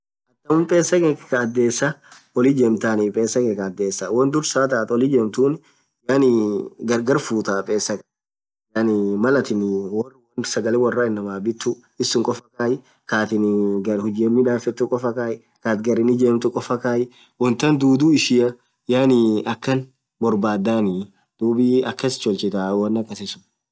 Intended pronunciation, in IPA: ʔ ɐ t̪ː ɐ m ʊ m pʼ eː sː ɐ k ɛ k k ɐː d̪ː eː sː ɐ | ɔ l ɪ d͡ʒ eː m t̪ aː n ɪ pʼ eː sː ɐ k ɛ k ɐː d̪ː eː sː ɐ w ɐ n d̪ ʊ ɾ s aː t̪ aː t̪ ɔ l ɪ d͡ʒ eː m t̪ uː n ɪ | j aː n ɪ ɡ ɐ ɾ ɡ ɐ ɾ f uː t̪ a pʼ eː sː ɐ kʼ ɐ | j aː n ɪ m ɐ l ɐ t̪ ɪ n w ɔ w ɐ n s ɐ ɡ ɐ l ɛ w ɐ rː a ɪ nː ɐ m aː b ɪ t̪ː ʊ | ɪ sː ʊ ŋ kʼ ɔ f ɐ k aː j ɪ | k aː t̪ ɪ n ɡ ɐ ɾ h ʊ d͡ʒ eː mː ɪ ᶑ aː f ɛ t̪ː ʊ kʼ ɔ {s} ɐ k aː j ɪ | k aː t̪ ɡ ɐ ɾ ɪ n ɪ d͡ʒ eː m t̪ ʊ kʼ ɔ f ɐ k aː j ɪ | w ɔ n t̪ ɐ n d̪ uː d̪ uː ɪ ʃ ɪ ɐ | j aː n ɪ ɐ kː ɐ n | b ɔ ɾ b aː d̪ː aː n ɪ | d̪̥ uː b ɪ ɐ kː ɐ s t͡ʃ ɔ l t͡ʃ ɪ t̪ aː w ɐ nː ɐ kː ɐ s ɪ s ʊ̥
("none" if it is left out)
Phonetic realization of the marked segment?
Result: f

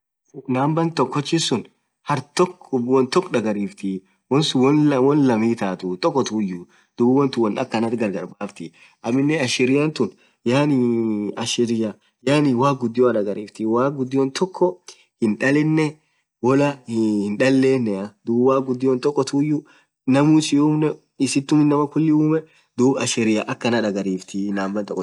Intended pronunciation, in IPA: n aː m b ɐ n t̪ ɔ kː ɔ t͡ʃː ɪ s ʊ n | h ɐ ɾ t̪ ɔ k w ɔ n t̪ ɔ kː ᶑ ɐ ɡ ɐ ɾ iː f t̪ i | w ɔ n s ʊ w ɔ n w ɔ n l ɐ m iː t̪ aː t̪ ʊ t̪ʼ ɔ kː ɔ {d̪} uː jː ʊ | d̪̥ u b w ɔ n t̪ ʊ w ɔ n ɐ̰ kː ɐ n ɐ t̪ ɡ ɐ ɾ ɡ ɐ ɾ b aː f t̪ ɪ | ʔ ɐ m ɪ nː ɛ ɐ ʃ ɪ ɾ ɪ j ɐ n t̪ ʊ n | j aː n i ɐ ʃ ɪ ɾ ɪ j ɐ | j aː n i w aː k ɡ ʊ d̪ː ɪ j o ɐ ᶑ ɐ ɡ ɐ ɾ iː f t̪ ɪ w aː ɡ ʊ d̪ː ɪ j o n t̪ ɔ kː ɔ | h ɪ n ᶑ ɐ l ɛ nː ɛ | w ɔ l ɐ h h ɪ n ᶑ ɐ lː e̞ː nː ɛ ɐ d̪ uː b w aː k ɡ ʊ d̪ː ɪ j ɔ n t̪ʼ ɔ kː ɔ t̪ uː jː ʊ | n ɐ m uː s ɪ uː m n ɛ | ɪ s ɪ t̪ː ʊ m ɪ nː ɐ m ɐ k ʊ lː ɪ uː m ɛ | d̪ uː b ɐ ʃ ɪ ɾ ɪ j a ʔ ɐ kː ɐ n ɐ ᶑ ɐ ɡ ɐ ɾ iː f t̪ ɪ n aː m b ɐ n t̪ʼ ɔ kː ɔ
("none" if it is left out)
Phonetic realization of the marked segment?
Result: t̪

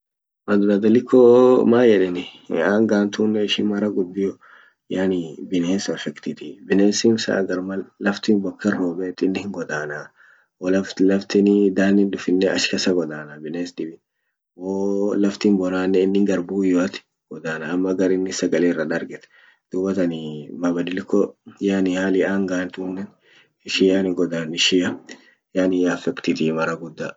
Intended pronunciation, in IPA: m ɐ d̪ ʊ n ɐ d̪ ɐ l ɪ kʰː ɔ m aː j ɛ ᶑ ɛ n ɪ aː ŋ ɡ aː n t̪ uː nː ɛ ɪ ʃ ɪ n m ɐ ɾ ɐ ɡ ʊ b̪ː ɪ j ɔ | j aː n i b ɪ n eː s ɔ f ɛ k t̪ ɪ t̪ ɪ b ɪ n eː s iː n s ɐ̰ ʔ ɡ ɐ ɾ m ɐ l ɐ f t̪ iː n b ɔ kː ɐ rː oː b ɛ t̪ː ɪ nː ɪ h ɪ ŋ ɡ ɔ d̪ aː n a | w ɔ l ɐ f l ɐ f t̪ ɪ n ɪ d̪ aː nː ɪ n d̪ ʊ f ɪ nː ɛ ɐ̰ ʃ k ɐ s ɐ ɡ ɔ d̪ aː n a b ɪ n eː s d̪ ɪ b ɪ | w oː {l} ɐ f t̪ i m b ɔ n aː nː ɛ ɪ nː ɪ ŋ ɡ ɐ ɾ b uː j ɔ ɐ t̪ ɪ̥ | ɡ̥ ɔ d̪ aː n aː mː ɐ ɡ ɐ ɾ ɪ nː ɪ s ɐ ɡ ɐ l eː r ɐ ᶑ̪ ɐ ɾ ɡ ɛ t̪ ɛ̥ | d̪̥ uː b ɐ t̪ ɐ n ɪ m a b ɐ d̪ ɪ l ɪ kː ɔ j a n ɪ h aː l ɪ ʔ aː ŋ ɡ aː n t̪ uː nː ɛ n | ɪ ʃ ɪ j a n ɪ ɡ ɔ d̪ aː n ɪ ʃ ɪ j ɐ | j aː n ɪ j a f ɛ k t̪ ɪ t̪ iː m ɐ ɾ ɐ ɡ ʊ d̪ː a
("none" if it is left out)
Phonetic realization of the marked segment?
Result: l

